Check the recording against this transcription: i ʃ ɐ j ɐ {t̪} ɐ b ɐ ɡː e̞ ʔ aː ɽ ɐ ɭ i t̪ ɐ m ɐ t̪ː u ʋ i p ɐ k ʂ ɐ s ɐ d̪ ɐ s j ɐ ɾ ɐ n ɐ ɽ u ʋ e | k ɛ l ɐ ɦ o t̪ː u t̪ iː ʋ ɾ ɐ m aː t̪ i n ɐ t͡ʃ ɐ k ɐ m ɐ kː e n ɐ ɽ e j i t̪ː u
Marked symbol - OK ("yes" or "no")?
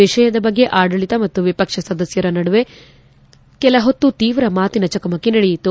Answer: no